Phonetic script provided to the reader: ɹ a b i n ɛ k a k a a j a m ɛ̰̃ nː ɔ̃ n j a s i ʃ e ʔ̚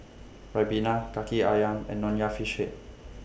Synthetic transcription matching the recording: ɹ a b i n a k a k i a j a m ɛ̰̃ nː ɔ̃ n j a f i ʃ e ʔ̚